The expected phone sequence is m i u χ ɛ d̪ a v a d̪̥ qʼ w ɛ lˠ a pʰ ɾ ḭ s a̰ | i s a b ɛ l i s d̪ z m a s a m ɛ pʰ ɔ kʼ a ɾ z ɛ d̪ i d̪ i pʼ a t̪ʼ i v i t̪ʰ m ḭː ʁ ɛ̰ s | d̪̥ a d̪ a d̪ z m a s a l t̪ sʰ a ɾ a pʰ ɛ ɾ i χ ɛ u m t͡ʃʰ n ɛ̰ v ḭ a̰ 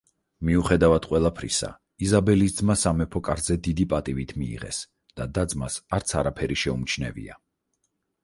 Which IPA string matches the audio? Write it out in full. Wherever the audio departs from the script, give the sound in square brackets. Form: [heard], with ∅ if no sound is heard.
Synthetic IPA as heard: m i u χ ɛ d̪ a v a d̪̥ qʼ w ɛ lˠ a pʰ ɾ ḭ s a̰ | i [z] a b ɛ l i s d̪ z m a s a m ɛ pʰ ɔ kʼ a ɾ z ɛ d̪ i d̪ i pʼ a t̪ʼ i v i t̪ʰ m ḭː ʁ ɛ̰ s | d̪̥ a d̪ a d̪ z m a s a [ɾ] t̪ sʰ a ɾ a pʰ ɛ ɾ i [ʃ] ɛ u m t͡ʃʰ n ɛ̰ v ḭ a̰